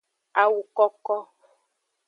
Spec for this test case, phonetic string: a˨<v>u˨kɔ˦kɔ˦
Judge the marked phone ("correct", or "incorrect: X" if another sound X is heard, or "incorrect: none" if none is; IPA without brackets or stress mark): incorrect: w